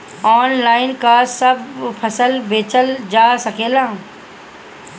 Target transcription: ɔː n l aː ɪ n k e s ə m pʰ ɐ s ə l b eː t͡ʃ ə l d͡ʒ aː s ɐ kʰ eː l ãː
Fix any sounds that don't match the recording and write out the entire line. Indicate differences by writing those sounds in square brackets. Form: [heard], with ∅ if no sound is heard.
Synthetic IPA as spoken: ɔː n l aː ɪ n k [a] s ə [b] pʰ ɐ s ə l b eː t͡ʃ ə l d͡ʒ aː s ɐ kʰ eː l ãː